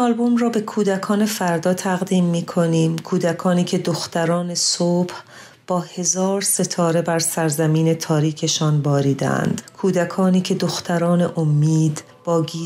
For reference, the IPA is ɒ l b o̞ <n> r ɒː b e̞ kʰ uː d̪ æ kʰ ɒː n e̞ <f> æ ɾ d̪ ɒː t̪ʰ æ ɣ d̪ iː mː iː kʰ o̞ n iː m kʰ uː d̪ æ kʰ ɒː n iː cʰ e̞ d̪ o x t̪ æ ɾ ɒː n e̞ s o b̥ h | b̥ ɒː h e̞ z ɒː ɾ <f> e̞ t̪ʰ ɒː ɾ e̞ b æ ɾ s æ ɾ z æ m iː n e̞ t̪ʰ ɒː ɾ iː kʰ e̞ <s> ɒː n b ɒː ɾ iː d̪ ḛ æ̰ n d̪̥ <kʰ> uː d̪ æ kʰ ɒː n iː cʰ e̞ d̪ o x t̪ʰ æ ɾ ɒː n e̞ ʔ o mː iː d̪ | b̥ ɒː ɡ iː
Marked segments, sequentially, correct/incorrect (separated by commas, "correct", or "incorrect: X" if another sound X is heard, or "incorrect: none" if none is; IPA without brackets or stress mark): incorrect: m, correct, incorrect: s, incorrect: ʃ, correct